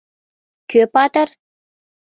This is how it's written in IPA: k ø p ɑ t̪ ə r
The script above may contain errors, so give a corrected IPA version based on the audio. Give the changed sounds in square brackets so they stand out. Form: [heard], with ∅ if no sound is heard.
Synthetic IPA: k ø p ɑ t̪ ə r